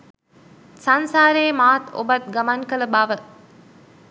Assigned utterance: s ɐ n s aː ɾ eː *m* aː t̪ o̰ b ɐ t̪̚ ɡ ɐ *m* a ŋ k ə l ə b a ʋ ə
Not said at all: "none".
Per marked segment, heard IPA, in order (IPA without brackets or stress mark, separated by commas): m, m